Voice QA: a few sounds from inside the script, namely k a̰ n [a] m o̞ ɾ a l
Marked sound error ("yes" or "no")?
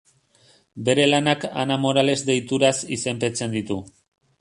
no